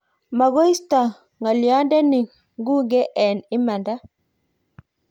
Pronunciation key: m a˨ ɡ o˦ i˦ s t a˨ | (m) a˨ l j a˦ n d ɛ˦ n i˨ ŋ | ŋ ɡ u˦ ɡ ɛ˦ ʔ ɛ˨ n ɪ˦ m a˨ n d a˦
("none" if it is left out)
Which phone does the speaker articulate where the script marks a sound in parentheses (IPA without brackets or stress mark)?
ŋ